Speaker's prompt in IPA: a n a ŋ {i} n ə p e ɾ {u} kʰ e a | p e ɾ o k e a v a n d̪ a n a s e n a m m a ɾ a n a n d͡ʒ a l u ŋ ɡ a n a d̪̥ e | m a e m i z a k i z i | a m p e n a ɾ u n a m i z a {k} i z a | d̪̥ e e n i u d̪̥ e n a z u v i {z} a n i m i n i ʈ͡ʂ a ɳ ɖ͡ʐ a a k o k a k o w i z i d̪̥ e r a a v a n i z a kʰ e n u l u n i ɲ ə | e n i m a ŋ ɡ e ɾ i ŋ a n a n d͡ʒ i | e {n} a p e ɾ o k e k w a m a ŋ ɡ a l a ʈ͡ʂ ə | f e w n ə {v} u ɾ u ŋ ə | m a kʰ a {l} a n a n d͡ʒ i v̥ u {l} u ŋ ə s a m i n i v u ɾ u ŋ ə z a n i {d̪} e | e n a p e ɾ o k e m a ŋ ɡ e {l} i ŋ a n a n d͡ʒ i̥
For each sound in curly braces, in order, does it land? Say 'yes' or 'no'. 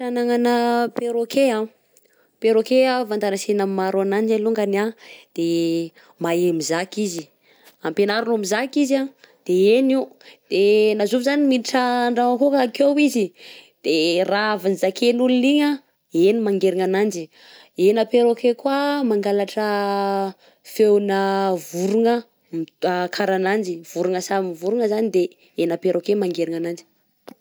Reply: no, no, yes, yes, yes, yes, no, no, yes, no

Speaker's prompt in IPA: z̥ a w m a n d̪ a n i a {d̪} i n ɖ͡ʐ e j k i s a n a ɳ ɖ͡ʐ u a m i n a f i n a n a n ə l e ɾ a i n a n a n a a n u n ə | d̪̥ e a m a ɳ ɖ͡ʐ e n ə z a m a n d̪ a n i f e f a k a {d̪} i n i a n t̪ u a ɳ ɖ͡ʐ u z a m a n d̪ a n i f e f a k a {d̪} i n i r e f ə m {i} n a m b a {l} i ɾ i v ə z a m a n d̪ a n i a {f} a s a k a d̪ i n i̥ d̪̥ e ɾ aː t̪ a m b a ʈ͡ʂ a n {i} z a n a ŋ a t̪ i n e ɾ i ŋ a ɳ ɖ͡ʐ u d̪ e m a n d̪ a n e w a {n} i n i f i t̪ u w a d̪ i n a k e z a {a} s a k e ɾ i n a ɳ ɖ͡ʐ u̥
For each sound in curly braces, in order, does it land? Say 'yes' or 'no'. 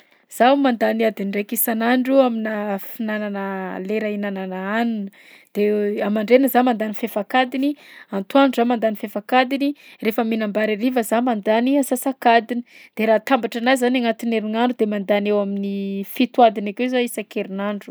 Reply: yes, yes, yes, yes, no, no, no, no, no

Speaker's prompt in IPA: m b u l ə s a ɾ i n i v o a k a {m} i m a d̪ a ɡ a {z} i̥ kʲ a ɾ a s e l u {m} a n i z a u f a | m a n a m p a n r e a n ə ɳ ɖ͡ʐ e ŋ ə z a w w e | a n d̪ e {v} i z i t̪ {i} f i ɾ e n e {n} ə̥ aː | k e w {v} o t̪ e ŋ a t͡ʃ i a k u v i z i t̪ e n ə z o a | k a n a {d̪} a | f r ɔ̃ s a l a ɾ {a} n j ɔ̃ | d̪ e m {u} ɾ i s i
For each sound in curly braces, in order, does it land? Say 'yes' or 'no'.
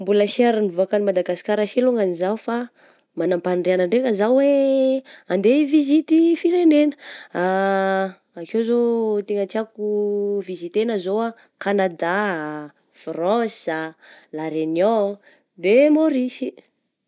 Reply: no, no, no, yes, yes, yes, no, yes, no, no

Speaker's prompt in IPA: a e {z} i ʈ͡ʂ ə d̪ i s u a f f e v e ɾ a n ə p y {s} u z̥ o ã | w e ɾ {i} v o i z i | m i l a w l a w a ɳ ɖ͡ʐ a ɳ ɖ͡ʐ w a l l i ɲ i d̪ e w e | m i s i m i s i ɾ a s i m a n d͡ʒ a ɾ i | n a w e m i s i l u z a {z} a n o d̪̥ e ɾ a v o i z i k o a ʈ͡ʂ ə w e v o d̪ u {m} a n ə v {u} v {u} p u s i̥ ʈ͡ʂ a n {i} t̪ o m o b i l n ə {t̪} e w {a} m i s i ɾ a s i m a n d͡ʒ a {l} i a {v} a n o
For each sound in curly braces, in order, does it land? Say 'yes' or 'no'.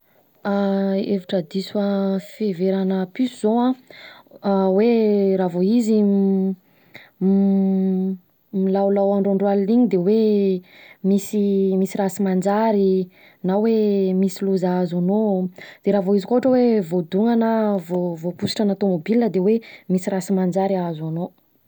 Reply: no, yes, no, yes, no, no, no, no, no, no, no, no

